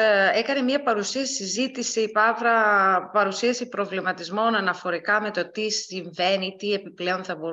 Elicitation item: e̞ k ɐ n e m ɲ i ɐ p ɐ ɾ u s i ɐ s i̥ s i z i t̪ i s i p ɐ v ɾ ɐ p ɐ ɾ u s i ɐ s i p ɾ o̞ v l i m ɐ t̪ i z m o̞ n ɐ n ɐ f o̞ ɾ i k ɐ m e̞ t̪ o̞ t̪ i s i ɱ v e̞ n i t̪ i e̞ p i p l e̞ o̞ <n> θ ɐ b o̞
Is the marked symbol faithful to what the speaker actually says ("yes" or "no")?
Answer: yes